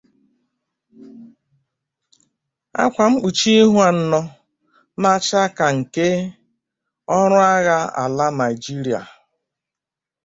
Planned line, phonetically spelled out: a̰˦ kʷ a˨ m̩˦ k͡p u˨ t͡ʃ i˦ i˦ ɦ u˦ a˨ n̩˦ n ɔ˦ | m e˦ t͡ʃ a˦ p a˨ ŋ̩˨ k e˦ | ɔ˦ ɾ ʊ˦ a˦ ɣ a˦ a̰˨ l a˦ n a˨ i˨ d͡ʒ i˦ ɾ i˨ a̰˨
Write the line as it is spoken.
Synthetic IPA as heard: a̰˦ kʷ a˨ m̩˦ k͡p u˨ t͡ʃ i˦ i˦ ɦ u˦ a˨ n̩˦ n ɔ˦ | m a˦ t͡ʃ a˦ k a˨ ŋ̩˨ k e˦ | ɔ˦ ɾ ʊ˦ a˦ ɣ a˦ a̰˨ l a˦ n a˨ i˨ d͡ʒ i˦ ɾ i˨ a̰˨